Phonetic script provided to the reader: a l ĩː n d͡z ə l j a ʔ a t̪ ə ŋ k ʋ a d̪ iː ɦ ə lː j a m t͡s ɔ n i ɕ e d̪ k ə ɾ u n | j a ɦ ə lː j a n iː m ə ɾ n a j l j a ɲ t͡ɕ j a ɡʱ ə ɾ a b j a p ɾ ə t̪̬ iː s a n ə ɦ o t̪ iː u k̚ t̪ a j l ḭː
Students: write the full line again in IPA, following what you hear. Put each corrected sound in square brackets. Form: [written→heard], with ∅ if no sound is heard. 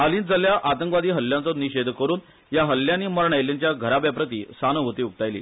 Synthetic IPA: a l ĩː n d͡z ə l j a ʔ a t̪ ə ŋ k ʋ a d̪ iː ɦ ə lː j a [m→n] t͡s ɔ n i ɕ e d̪ k ə ɾ [u→uː] n | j a ɦ ə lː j a n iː m ə ɾ [n→ɳ] a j l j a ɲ t͡ɕ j a ɡʱ ə ɾ a b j a p ɾ ə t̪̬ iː s a n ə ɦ o t̪ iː u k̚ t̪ a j l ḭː

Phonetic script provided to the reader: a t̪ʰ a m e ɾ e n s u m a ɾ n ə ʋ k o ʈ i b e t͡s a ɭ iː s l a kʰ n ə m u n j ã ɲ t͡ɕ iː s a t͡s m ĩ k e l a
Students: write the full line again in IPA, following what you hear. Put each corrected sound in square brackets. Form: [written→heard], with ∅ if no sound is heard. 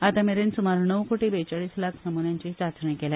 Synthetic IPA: a [t̪ʰ→t̪] a m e ɾ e n s u m a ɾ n ə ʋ k o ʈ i b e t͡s a ɭ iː s l a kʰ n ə m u n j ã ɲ t͡ɕ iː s a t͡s [m→ɳ] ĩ k e l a

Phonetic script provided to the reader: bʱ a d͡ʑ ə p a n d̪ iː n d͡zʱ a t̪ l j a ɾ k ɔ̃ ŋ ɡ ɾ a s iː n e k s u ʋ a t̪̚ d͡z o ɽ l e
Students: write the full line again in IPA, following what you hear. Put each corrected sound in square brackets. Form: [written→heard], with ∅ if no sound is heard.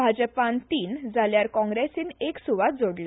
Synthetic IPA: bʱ a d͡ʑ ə p a n [d̪→t̪] iː n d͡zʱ a [t̪→∅] l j a ɾ k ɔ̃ ŋ ɡ ɾ [a→e] s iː n e k s u ʋ a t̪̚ d͡z o ɽ l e

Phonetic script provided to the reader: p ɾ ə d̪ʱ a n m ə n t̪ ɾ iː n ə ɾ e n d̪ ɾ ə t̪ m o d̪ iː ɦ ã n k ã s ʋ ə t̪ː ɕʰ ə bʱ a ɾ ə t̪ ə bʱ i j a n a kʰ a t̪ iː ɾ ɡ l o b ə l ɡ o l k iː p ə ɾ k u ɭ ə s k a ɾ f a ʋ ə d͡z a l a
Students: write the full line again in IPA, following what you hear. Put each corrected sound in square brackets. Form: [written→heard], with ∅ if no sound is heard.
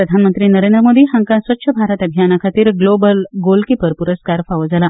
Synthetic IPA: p ɾ ə d̪ʱ a n m ə n t̪ ɾ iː n ə ɾ e n d̪ ɾ ə [t̪→∅] m o d̪ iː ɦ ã [n→ŋ] k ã s ʋ ə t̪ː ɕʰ ə bʱ a ɾ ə t̪ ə bʱ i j a n a kʰ a t̪ iː ɾ ɡ l o b ə l ɡ o l k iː p ə ɾ [k→p] u [ɭ→ɾ] ə s k a ɾ f a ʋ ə d͡z a l a

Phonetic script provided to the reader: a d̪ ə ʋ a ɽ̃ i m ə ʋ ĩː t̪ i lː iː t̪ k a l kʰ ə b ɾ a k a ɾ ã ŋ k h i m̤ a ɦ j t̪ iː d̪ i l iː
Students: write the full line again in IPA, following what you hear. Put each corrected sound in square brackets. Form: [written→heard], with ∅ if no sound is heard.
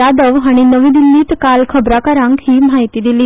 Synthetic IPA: a d̪ ə ʋ a ɽ̃ i [m→n] ə ʋ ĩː [t̪→d̪] i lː iː t̪ k a l kʰ ə b ɾ a k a ɾ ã ŋ k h [i→iː] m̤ a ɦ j t̪ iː d̪ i l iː

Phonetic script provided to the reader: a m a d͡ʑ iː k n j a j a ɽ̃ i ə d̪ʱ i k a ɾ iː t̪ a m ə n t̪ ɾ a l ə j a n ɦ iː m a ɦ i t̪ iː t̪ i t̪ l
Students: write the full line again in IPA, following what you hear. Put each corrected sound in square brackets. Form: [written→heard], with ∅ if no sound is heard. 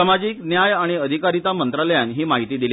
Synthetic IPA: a m a d͡ʑ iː k n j a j a ɽ̃ i ə d̪ʱ i k a ɾ [iː→i] t̪ a m ə n t̪ ɾ a l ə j a n ɦ iː m a ɦ i t̪ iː [t̪→d̪] i [t̪→∅] l

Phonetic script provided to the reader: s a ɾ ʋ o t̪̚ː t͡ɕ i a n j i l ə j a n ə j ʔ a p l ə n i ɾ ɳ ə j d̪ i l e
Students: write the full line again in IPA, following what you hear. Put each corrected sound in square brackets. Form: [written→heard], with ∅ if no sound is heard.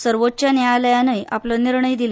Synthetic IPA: s [a→ə] ɾ ʋ o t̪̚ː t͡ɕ [i→j] a n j [i→a] l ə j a n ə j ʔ a p l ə n i ɾ ɳ ə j d̪ i l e

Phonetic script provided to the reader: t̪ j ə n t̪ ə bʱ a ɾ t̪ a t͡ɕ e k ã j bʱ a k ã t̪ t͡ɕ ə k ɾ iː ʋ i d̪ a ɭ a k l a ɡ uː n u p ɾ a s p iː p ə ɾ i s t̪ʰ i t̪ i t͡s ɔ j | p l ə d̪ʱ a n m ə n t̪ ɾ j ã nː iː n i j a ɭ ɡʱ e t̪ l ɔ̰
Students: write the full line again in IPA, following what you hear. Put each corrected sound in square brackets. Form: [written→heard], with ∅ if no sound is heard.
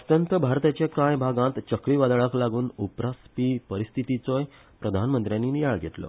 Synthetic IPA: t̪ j ə n t̪ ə bʱ a ɾ t̪ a t͡ɕ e k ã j bʱ a [k→ɡ] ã t̪ t͡ɕ ə k ɾ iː ʋ [i→a] d̪ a ɭ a k l a ɡ uː n u p ɾ a s p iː p ə ɾ i s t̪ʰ i t̪ i t͡s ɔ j | p [l→ɾ] ə d̪ʱ a n m ə n t̪ ɾ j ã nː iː n i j a ɭ ɡʱ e t̪ l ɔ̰

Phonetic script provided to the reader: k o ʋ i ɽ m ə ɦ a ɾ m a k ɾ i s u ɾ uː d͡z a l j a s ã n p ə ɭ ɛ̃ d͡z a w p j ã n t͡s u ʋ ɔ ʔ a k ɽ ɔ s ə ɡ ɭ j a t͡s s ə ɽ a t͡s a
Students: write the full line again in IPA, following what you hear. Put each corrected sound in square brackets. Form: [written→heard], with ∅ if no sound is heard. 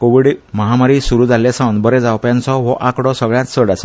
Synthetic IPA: k o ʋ i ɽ m ə ɦ a [ɾ→∅] m a [k→∅] ɾ i s u ɾ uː d͡z a l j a s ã n [p→b] ə [ɭ→ɾ] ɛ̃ d͡z a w p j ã n t͡s [u→ɔ] ʋ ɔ ʔ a k ɽ ɔ s ə ɡ ɭ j a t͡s s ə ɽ a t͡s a

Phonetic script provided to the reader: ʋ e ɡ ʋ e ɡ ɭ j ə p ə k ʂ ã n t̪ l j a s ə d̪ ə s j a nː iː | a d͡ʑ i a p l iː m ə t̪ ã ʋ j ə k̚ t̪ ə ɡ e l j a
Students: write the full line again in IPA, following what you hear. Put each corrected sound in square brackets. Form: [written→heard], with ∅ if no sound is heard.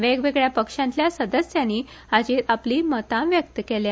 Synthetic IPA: ʋ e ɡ ʋ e ɡ ɭ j [ə→a] p ə k ʂ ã n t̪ l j a s ə d̪ ə s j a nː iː | a d͡ʑ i a p l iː m ə t̪ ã ʋ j ə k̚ t̪ ə [ɡ→k] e l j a

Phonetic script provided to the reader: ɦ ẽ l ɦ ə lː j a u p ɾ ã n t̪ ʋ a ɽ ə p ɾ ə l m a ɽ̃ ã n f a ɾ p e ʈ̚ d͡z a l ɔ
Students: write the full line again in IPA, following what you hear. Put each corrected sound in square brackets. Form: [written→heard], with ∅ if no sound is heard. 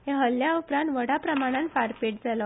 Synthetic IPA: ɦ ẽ [l→∅] ɦ ə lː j a u p ɾ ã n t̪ ʋ [a→ə] ɽ [ə→a] p ɾ ə [l→∅] m a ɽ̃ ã n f a ɾ p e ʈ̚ d͡z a l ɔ

